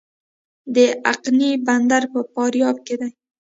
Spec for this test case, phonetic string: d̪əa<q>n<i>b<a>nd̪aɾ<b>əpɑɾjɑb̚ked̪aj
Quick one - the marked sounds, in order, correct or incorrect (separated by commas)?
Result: correct, correct, correct, incorrect